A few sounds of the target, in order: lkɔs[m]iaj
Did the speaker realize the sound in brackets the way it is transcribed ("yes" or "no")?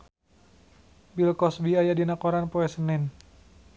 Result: no